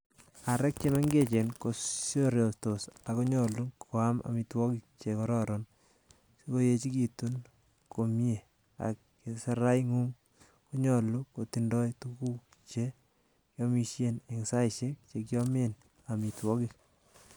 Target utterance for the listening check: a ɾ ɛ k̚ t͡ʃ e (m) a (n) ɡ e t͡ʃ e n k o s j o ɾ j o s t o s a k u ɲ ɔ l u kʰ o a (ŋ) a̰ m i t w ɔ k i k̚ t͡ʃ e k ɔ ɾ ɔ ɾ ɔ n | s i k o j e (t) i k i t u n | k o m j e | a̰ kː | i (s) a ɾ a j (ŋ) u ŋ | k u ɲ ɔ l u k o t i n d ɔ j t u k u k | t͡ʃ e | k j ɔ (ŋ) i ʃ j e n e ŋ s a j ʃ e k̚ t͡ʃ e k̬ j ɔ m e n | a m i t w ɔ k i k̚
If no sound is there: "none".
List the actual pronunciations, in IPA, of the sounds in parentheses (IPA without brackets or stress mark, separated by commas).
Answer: m, ŋ, m, t͡ʃ, s, ŋ, m